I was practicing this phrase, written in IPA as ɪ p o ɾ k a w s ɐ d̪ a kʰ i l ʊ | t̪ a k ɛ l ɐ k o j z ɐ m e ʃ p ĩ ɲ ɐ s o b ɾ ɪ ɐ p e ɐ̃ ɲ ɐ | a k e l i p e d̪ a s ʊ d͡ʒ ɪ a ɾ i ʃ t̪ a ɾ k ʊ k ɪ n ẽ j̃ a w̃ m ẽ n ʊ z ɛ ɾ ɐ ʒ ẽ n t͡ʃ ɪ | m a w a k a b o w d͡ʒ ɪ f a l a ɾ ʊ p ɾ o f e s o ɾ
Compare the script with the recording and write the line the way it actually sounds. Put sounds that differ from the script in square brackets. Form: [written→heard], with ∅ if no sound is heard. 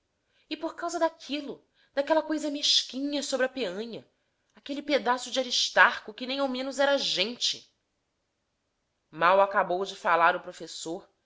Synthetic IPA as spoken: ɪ p o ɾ k a w [s→z] ɐ d̪ a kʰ i l ʊ | [t̪→d̪] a k ɛ l ɐ k o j z ɐ m e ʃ [p→k] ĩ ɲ ɐ s o b ɾ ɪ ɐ p e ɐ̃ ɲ ɐ | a k e l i p e d̪ a s ʊ d͡ʒ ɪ a ɾ i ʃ t̪ a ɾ k ʊ k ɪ n ẽ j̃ a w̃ m ẽ n ʊ z ɛ ɾ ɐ ʒ ẽ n t͡ʃ ɪ | m a w a k a b o w d͡ʒ ɪ f a l a ɾ ʊ p ɾ o f e s o ɾ